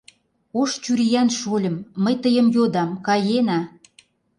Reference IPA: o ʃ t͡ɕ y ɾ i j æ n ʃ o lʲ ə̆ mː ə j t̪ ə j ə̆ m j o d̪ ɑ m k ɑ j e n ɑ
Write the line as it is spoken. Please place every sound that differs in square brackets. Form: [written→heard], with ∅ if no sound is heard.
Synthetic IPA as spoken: o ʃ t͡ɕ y ɾ i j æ n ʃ o lʲ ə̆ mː ə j t̪ ə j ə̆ m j o d̪ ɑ m k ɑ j e n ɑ